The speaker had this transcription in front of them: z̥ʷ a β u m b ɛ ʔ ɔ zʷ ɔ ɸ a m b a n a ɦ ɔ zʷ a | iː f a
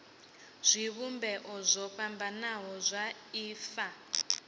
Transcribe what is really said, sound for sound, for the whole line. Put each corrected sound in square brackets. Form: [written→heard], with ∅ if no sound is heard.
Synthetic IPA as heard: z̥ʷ [a→i] β u m b ɛ ʔ ɔ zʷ ɔ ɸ a m b a n a ɦ ɔ zʷ a | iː f a